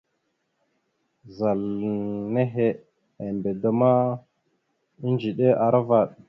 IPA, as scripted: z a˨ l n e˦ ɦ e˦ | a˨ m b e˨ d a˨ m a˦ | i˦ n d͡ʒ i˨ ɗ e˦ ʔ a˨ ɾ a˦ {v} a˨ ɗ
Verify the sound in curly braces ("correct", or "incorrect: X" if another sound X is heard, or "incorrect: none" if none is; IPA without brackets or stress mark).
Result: correct